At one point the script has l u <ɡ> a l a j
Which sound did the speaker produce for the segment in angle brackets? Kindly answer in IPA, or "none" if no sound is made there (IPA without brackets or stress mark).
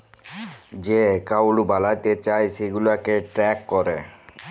b